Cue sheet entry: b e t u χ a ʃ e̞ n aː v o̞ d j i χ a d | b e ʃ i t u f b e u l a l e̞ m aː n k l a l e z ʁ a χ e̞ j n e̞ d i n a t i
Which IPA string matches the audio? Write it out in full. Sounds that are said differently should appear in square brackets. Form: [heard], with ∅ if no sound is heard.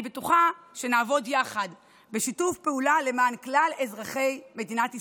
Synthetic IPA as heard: b e t u χ a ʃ e̞ n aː v o̞ d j [a] χ a d | b e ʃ i t u f [p] e u l a l e̞ m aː n k l a l e z ʁ a χ e̞ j [m] e̞ d i n a t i